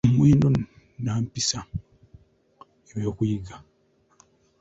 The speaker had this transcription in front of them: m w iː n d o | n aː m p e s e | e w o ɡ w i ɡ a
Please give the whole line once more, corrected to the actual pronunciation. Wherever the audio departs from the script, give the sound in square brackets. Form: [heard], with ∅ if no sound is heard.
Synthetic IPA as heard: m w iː n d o | n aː m p [i] s [a] | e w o [k] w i ɡ a